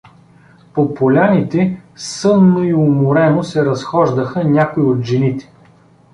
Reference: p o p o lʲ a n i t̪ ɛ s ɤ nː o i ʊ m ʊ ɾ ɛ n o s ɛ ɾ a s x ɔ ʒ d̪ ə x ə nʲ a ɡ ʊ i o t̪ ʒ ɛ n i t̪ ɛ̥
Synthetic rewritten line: p o p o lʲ a n i t̪ ɛ s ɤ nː o i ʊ m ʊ ɾ ɛ n o s ɛ ɾ ɐ s x ɔ ʒ d̪ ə x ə nʲ a k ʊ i o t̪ ʒ ɛ n i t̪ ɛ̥